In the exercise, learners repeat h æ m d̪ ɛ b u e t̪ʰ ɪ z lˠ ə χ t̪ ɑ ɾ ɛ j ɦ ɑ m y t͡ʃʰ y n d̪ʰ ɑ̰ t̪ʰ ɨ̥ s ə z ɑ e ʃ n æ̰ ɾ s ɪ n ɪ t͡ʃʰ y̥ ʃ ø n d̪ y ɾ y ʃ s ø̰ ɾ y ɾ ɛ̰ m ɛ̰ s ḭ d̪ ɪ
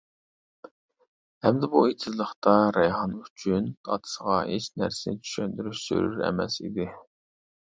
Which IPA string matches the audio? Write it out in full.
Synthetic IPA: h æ m d̪ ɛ b u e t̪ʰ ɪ z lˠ ə χ t̪ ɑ ɾ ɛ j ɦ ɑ n y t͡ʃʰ y n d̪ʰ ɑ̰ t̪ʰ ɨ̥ s ə ʁ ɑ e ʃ n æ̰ ɾ s ɪ n ɪ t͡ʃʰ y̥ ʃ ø n d̪ y ɾ y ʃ s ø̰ ɾ y ɾ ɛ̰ m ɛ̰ s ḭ d̪ ɪ